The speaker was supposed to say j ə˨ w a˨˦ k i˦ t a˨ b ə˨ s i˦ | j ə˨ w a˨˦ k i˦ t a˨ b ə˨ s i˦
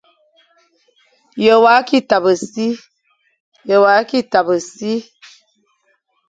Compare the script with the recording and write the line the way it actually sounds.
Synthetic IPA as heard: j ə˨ w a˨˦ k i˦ t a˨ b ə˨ s i˦ | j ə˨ w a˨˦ k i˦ t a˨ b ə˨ s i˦